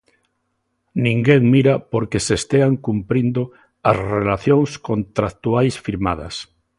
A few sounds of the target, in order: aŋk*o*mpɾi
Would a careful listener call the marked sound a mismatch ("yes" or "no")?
yes